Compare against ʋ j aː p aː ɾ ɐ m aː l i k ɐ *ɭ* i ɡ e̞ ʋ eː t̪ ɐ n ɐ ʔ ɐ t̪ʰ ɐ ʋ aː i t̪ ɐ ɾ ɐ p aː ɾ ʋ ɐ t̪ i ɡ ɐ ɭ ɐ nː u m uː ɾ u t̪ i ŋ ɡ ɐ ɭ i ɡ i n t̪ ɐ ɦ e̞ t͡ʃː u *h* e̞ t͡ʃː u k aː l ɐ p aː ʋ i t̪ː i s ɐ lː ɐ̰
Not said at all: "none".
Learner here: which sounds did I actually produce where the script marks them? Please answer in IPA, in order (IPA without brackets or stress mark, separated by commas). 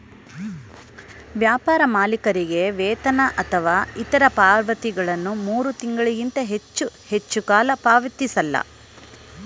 ɾ, h